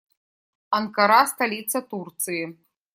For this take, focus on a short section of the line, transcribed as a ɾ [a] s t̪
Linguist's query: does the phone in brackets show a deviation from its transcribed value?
no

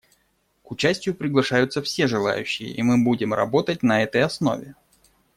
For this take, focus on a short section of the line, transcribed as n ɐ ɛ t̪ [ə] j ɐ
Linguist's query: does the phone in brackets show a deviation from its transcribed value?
no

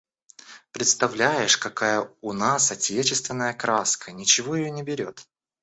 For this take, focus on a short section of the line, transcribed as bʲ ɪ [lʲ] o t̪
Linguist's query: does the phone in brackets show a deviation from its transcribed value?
yes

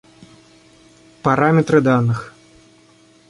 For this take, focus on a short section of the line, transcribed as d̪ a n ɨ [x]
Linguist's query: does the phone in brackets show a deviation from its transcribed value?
no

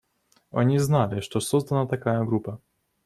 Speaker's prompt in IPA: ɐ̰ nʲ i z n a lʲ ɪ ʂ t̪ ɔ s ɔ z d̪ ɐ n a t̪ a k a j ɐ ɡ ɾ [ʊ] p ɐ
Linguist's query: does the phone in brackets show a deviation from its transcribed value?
yes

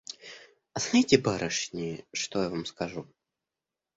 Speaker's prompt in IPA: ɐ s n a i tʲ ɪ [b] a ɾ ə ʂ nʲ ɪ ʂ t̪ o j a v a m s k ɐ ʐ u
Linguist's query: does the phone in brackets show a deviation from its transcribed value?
no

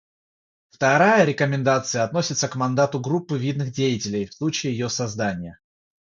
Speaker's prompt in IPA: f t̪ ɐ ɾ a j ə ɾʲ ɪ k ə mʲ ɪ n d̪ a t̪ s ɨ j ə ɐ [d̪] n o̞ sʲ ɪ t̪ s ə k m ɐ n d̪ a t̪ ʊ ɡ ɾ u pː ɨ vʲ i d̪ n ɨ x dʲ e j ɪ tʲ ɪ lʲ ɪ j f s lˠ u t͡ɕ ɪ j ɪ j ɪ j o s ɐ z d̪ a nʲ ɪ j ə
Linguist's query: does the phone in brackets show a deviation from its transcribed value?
yes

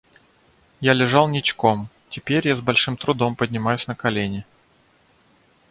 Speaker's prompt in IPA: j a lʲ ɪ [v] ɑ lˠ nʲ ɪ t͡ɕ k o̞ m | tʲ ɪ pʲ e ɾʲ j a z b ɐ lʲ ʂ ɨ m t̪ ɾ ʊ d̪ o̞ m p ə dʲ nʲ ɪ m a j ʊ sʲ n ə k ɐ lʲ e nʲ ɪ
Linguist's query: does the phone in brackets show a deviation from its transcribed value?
yes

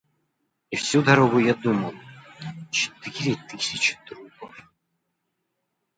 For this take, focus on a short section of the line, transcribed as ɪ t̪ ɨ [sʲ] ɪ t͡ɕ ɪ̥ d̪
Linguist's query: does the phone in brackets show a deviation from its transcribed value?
no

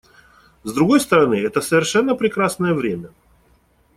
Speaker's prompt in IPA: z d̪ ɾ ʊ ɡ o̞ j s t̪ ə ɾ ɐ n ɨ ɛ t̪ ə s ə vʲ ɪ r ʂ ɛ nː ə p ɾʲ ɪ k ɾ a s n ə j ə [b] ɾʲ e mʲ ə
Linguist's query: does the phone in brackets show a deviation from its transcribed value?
yes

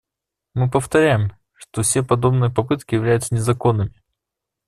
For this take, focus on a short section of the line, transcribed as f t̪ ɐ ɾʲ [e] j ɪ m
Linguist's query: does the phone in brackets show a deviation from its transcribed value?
yes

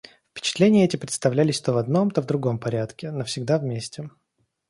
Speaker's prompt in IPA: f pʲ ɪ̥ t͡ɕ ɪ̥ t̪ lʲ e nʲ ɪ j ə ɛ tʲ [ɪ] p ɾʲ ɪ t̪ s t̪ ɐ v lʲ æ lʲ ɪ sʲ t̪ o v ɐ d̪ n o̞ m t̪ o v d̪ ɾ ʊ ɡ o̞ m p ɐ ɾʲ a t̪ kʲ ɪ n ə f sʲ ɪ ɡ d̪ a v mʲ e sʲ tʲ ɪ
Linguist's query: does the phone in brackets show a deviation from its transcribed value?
no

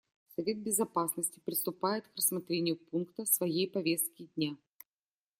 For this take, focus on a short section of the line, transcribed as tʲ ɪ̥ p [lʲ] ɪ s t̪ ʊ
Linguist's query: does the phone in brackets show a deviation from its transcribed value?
yes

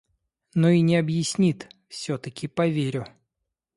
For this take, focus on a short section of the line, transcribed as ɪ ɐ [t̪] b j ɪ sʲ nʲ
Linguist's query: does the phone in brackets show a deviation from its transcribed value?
yes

